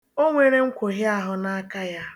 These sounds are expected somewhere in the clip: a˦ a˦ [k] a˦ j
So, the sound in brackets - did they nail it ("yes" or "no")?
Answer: yes